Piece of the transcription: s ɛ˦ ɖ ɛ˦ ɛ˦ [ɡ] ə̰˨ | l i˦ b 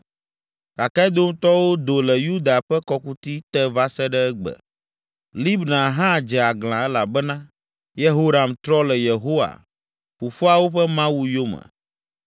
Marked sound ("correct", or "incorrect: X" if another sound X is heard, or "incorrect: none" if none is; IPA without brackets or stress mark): incorrect: ɡ͡b